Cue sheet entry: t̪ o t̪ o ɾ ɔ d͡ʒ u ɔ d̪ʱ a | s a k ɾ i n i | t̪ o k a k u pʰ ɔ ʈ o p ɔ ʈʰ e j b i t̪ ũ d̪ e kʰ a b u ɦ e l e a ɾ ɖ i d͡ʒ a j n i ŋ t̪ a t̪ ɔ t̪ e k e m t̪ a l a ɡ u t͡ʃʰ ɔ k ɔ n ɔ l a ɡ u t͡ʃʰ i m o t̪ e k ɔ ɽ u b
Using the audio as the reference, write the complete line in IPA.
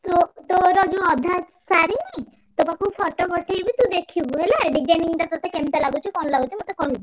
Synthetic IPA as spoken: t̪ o t̪ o ɾ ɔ d͡ʒ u ɔ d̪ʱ a | s a ɾ i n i | t̪ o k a k u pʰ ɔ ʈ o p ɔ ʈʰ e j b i t̪ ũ d̪ e kʰ i b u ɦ e l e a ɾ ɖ i d͡ʒ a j n i ŋ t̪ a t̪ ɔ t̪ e k e m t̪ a l a ɡ u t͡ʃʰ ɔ k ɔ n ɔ l a ɡ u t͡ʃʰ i m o t̪ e k ɔ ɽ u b